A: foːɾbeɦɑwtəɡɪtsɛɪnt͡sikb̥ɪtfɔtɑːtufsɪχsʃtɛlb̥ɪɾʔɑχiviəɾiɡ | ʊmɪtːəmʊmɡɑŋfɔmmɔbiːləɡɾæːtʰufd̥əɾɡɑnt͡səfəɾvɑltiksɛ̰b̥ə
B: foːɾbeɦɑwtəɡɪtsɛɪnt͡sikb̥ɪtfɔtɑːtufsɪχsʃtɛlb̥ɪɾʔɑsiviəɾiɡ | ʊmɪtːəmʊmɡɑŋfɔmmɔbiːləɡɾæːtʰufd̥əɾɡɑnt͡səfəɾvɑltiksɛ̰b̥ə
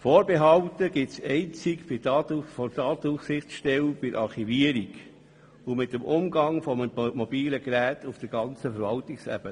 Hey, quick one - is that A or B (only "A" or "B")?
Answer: A